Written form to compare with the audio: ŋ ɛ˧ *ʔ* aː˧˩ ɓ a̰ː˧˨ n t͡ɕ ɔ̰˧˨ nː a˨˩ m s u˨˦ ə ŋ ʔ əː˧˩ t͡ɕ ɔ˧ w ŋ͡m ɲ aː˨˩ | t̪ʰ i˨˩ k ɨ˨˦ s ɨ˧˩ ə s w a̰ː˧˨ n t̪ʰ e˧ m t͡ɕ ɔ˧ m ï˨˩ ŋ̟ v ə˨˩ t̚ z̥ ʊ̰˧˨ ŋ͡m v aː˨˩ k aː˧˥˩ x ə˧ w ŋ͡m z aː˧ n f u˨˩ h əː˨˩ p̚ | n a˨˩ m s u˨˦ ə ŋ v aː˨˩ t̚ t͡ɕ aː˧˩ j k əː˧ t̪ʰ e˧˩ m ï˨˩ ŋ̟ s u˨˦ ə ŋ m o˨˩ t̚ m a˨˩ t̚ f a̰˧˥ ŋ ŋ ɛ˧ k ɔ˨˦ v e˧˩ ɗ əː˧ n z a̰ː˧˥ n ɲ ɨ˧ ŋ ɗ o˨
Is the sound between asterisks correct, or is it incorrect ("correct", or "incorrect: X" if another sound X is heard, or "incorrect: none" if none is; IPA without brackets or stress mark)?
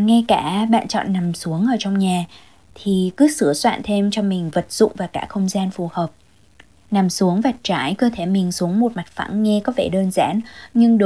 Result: incorrect: k